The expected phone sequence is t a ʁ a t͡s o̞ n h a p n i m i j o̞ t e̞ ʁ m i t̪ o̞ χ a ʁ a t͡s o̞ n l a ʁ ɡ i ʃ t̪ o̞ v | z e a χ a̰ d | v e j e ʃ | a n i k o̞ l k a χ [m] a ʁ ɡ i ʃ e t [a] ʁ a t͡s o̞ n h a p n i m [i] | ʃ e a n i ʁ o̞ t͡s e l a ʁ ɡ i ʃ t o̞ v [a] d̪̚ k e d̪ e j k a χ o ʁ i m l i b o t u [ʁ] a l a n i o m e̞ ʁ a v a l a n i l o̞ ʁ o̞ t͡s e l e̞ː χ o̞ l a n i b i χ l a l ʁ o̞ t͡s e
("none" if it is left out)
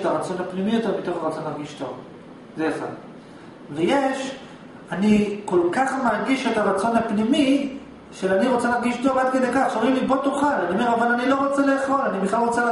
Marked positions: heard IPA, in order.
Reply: m, a, i, a, χ

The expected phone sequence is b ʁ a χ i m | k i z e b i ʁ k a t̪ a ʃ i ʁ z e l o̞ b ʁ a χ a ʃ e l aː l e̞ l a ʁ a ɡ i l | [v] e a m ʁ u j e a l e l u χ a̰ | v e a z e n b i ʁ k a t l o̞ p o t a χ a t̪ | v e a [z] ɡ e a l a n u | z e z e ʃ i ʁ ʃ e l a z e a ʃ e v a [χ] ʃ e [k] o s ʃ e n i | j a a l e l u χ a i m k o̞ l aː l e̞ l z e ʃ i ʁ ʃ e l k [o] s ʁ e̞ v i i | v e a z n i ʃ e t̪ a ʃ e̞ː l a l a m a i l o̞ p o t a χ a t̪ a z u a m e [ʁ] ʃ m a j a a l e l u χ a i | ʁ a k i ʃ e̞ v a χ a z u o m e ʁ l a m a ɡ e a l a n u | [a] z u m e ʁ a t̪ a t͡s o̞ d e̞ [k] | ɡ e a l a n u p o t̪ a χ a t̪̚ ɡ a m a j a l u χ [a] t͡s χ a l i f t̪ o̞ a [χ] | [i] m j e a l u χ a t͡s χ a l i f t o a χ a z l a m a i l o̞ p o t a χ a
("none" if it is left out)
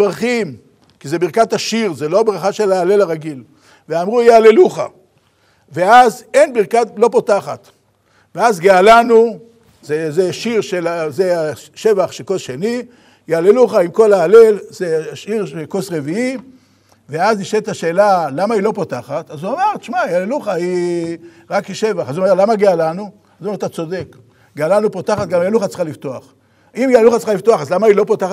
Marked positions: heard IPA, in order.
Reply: v, z, χ, k, o, ʁ, a, k, a, χ, i

